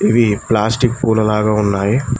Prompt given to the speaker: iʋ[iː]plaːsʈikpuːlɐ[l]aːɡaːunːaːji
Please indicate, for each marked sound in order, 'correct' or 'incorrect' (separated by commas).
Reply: incorrect, correct